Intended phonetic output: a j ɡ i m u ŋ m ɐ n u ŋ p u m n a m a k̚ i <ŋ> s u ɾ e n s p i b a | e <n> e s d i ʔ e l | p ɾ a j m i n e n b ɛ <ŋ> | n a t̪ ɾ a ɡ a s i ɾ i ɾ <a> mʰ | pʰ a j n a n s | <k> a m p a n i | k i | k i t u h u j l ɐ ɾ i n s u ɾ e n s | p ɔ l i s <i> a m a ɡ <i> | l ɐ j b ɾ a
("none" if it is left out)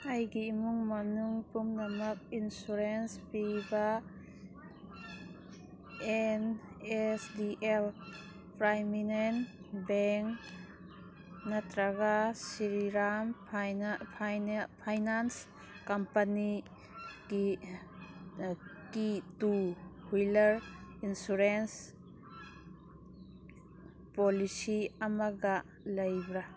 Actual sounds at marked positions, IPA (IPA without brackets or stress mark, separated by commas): n, n, ŋ, a, k, i, a